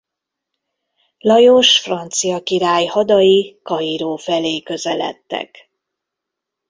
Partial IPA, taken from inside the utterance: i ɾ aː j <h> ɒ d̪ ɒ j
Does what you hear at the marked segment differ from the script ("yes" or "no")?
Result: no